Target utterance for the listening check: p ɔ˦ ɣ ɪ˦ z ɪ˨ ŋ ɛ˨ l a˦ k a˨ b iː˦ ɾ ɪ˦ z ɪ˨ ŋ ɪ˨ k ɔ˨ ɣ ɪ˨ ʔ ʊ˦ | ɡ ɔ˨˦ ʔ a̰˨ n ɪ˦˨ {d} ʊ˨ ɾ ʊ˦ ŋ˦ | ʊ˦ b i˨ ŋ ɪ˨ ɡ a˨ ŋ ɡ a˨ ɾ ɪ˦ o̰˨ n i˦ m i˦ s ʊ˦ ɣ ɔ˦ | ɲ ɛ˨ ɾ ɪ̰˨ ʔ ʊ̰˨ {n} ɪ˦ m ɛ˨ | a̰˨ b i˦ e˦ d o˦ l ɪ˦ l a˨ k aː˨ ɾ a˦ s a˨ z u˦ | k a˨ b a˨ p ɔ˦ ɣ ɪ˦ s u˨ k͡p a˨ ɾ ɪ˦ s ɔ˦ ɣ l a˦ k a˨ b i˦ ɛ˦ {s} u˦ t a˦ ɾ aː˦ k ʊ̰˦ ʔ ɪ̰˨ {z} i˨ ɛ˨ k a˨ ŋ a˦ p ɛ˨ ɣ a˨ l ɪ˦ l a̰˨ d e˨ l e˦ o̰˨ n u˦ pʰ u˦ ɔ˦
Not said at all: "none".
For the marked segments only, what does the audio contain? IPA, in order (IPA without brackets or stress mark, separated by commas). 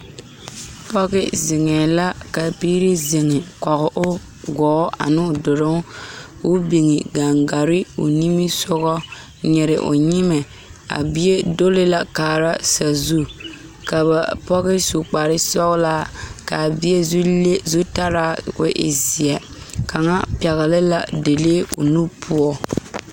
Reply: d, ɲ, z, z